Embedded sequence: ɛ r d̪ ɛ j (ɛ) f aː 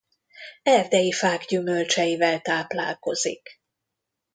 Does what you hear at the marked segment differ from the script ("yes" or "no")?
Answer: yes